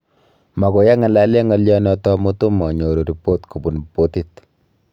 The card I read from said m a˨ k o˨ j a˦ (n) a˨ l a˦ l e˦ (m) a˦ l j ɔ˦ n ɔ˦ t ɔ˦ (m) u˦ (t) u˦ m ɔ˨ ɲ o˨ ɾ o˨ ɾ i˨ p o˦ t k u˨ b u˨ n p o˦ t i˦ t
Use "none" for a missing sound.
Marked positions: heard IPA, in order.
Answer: ŋ, ŋ, m, t

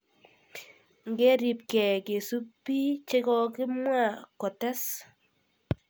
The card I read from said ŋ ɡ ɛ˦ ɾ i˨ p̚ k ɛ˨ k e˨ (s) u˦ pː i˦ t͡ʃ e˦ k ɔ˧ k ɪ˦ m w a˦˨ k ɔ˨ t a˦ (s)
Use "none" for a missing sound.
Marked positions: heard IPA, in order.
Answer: s, s

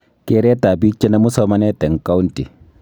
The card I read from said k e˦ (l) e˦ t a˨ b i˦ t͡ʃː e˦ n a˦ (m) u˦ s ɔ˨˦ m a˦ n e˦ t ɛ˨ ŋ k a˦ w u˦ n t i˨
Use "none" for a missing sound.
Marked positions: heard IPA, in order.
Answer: ɾ, m

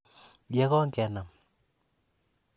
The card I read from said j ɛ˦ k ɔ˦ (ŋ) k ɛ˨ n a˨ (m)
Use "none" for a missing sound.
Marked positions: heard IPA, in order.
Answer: ŋ, m

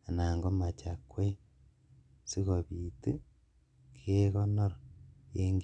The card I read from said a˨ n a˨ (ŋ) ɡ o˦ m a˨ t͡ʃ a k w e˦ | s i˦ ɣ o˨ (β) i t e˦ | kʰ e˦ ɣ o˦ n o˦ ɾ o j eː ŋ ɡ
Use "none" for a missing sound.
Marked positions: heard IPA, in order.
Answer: ŋ, β

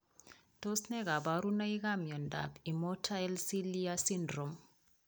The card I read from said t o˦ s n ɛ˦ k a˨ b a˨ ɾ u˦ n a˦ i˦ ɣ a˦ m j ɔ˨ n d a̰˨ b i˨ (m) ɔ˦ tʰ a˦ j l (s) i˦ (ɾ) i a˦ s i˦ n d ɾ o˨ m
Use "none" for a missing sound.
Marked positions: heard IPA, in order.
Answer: m, s, l

